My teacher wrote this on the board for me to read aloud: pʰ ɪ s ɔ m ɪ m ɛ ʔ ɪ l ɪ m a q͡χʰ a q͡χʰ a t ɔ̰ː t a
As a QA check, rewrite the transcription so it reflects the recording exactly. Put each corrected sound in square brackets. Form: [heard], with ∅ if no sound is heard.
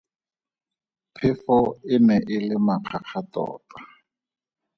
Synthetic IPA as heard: pʰ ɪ [f] ɔ [∅] ɪ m ɛ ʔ ɪ l ɪ m a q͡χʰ a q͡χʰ a t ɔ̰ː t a